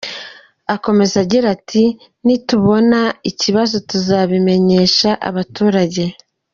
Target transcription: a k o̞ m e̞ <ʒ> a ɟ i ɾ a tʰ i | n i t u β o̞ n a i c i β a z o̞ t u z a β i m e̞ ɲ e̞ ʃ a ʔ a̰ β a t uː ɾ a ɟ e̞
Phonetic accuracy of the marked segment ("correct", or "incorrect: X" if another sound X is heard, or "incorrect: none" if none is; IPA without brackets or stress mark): incorrect: z